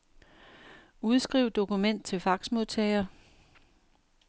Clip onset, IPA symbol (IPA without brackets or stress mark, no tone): u